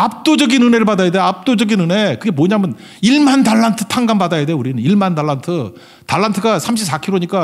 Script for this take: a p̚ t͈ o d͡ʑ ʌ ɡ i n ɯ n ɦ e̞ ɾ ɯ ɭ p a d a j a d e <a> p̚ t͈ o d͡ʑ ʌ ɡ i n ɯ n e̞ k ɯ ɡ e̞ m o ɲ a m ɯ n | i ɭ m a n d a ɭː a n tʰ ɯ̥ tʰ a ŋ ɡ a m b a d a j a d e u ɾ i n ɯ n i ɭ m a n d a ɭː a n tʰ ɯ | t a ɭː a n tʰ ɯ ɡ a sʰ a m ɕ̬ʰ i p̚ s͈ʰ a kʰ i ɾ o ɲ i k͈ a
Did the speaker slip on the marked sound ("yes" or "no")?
no